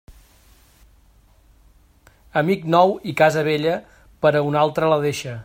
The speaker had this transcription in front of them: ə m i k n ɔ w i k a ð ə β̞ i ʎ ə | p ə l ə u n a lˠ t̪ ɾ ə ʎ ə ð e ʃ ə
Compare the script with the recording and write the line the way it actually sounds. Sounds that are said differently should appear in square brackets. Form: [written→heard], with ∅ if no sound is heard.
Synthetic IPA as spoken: ə m i k n ɔ w i k a [ð→z] ə β̞ [i→e] ʎ ə | p ə [l→ɾ] ə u n a lˠ t̪ ɾ ə [ʎ→l] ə ð e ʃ ə